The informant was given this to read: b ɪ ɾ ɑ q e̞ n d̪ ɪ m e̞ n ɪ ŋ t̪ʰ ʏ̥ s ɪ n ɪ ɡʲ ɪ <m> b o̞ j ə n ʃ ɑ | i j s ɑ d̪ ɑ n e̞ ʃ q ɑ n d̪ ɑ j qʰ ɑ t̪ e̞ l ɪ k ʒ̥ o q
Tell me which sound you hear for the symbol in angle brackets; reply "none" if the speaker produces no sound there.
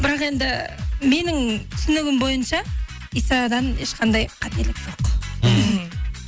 m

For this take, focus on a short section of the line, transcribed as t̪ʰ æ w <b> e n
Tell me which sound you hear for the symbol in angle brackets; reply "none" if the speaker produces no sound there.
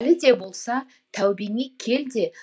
b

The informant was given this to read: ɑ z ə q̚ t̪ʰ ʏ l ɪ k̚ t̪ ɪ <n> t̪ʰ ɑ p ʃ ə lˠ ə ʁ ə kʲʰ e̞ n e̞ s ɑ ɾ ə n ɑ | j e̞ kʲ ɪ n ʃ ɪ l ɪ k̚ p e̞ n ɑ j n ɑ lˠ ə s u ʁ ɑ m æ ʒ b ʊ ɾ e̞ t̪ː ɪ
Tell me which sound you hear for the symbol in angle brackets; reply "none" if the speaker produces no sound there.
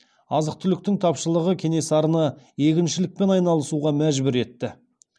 ŋ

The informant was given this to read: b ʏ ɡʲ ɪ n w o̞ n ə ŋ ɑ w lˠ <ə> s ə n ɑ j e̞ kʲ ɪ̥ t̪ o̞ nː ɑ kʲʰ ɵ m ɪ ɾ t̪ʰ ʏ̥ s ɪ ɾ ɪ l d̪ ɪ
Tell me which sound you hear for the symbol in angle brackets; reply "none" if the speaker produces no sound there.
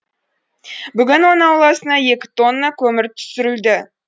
ɑ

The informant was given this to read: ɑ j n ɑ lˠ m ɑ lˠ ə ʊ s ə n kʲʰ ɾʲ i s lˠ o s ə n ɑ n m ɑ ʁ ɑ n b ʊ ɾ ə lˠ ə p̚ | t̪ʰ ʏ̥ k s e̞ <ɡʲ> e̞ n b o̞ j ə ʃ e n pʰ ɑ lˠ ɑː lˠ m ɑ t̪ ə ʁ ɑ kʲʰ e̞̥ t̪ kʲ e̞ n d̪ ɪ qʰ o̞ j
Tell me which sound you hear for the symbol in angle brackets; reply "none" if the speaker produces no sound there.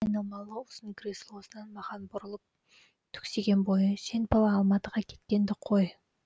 ɡʲ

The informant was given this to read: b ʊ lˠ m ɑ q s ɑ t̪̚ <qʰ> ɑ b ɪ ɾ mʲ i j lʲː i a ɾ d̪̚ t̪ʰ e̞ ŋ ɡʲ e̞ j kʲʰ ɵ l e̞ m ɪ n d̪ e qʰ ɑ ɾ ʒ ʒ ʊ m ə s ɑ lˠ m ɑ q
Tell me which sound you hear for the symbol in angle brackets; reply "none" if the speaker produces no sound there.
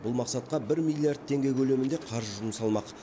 q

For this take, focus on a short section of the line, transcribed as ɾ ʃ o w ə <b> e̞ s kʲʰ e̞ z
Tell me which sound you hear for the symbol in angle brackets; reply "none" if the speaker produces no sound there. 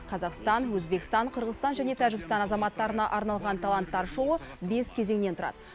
b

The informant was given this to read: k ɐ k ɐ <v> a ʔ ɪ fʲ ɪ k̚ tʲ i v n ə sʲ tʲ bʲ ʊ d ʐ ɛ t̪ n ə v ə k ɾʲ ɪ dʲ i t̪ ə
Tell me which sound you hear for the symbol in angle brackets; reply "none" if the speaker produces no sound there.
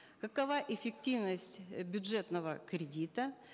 v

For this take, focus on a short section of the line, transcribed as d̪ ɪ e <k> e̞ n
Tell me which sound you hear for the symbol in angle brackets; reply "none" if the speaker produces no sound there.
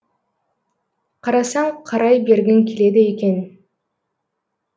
k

